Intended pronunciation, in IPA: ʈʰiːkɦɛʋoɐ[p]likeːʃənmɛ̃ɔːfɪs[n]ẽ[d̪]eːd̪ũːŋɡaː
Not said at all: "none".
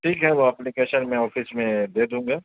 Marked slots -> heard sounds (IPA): p, m, d̪

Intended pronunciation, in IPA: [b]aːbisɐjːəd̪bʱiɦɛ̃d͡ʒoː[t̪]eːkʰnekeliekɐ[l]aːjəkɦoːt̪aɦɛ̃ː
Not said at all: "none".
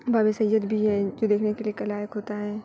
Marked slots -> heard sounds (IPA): b, d̪, l

